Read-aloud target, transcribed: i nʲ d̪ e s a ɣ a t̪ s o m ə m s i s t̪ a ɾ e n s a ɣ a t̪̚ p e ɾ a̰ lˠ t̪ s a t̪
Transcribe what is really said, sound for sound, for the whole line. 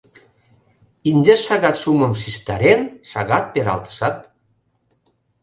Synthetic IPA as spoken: i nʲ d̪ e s a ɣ a t̪ s u m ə m s i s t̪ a ɾ e n s a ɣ a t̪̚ p e ɾ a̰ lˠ t̪ s a t̪